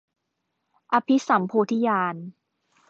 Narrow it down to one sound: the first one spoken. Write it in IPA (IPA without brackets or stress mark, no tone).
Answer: ʔ